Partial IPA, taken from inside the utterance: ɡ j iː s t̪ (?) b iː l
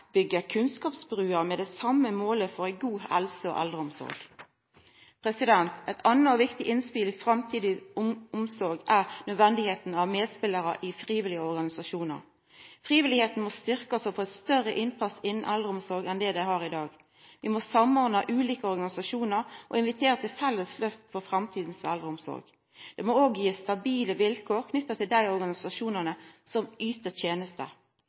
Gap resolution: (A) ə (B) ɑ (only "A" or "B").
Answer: B